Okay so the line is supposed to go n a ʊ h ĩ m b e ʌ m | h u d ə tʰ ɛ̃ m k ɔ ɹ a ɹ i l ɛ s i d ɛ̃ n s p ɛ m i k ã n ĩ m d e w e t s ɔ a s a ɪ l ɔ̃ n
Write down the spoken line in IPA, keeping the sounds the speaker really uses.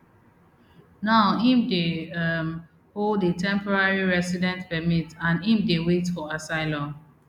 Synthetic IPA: n a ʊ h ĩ m d e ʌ m | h o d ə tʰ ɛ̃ m p ɔ ɹ a ɹ i ɹ ɛ s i d ɛ̃ n t p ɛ m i t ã n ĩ m d e w e t f ɔ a s a ɪ l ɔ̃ n